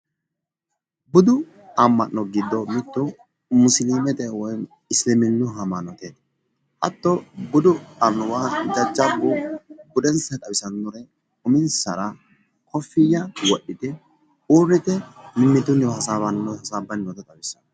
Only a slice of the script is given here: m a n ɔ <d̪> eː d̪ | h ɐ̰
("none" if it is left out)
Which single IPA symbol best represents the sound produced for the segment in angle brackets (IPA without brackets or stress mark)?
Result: t̪